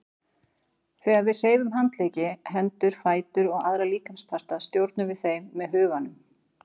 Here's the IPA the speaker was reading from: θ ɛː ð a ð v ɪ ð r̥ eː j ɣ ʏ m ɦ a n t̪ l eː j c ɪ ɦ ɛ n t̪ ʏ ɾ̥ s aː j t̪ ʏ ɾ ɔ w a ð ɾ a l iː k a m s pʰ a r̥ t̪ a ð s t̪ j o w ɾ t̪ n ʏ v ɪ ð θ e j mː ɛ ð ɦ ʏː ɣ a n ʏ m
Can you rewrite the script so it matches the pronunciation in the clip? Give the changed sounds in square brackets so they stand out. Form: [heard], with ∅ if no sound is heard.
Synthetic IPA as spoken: θ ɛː [ɣ] a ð v ɪ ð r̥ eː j [v] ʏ m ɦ a n t̪ l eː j c ɪ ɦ ɛ n t̪ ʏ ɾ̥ [f] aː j t̪ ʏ ɾ ɔ [ɣ] a ð ɾ a l iː k a m s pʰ a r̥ t̪ a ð s t̪ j o w ɾ t̪ n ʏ v ɪ ð θ e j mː ɛ ð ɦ ʏː ɣ a n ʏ m

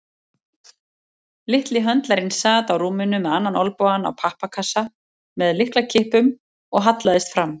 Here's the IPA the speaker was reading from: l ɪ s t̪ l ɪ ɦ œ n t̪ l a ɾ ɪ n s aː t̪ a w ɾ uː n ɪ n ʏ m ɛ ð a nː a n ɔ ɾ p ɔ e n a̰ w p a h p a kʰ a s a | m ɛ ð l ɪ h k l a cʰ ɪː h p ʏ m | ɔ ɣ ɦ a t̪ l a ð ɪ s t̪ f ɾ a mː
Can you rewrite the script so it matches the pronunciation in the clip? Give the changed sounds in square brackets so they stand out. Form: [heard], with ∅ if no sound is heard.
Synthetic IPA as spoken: l ɪ [h] t̪ l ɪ ɦ œ n t̪ l a ɾ ɪ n s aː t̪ a w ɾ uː [m] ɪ n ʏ m ɛ ð a nː a n ɔ [l] p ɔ [a] n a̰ w [pʰ] a h p a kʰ a s a | m ɛ ð l ɪ h k l a cʰ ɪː h p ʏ m | ɔ ɣ ɦ a t̪ l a ð ɪ s t̪ f ɾ a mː

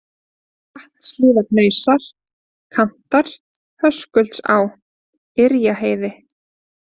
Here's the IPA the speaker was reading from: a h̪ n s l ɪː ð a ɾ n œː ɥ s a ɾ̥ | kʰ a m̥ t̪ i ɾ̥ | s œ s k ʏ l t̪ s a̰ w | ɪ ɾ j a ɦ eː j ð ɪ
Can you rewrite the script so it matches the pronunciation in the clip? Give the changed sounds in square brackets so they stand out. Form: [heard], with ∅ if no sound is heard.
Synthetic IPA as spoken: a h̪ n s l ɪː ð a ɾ n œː ɥ s a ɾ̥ | kʰ a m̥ t̪ [a] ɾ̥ | [h] œ s k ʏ l t̪ s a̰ w | ɪ ɾ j a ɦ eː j ð ɪ

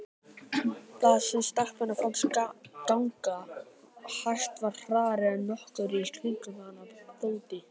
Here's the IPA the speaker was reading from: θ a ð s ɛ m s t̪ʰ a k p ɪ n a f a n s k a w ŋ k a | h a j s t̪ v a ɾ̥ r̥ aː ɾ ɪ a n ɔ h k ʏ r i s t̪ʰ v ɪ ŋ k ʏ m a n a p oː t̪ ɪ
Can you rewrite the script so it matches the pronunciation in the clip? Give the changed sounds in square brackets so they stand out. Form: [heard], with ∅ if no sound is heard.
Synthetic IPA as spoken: θ a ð s ɛ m s [t̪] a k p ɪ n a f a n s k a w ŋ k a | h a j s t̪ v a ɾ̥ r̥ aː ɾ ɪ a n ɔ h k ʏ [ɾ] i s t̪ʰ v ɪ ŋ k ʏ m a n a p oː t̪ ɪ

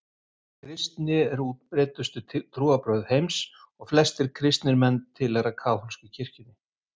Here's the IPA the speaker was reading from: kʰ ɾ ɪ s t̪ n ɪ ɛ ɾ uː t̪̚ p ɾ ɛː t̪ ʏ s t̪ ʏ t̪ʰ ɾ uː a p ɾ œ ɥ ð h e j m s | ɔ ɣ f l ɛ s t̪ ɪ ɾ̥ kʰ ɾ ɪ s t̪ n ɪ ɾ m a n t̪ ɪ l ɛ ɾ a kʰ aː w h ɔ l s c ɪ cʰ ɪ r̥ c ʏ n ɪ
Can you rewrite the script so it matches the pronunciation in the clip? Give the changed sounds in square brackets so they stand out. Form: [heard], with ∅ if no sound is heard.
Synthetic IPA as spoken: kʰ ɾ ɪ s t̪ n ɪ ɛ ɾ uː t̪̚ p ɾ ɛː t̪ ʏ s t̪ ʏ t̪ʰ ɾ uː a p ɾ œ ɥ ð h e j m s | ɔ ɣ f l ɛ s t̪ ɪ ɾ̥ kʰ ɾ ɪ s t̪ n ɪ ɾ m [ɛ] n [t̪ʰ] ɪ l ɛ ɾ a kʰ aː w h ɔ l s c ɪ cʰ ɪ r̥ c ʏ n ɪ

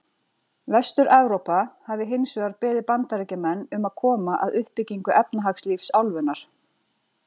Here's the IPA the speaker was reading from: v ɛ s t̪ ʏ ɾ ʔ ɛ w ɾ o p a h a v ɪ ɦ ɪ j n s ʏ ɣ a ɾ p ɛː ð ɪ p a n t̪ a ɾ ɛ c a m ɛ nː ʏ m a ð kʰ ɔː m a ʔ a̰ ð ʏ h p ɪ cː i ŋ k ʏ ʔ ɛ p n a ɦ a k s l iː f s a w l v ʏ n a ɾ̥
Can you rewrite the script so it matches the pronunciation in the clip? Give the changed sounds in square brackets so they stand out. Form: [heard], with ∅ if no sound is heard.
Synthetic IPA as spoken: v ɛ s t̪ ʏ ɾ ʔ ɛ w ɾ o p a h a v ɪ ɦ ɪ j n s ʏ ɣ a ɾ p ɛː ð ɪ p a n t̪ a ɾ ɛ c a m ɛ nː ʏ m a ð kʰ ɔː m a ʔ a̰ ð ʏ h p ɪ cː i ŋ k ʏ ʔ ɛ p n a ɦ a k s l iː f s a w l v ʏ n a ɾ̥

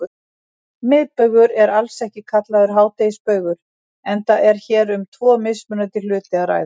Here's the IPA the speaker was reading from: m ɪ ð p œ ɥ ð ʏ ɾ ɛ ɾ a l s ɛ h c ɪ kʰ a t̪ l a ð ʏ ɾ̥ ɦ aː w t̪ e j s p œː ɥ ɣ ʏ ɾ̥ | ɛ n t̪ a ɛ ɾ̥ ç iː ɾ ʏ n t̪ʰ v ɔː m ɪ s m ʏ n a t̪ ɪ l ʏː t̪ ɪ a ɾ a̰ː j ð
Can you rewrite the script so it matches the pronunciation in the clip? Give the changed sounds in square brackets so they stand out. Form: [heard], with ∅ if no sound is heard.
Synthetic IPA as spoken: m ɪ ð p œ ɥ [ɣ] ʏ ɾ ɛ ɾ a l s ɛ h c ɪ kʰ a t̪ l a ð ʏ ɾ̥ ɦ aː w t̪ e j s p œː ɥ ɣ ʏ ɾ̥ | ɛ n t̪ a ɛ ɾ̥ ç [ɛː] ɾ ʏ [m] t̪ʰ v ɔː m ɪ s m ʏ n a t̪ ɪ l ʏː t̪ ɪ a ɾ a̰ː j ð

